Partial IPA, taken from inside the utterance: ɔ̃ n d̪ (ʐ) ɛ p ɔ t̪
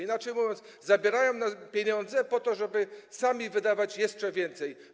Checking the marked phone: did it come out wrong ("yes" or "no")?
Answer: yes